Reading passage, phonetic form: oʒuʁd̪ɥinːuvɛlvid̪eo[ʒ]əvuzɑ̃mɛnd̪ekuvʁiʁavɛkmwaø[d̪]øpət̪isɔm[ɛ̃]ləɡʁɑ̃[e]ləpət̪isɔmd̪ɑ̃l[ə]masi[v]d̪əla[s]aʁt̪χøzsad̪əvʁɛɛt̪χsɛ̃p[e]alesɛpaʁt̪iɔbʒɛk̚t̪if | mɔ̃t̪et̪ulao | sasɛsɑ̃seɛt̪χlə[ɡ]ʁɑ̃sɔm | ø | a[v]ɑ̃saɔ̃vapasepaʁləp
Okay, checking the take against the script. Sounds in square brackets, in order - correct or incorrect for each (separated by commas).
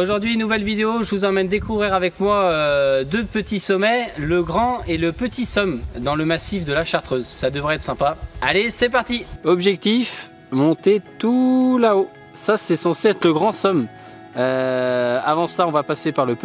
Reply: correct, correct, incorrect, correct, correct, incorrect, incorrect, incorrect, correct, correct